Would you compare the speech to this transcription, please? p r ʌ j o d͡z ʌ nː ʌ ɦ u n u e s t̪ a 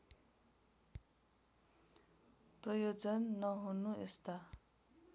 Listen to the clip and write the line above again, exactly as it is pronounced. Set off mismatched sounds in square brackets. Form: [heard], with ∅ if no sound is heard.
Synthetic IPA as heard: p r ʌ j o d͡z ʌ nː ʌ ɦ u n u e s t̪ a